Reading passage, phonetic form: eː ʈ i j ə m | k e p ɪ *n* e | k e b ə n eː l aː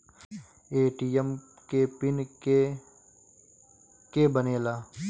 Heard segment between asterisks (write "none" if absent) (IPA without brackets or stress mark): n